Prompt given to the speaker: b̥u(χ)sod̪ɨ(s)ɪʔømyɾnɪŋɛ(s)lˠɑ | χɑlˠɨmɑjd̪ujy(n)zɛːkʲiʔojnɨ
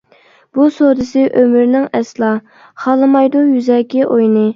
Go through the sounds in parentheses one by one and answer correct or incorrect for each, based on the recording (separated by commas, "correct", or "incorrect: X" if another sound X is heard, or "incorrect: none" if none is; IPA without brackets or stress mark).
incorrect: none, correct, correct, incorrect: none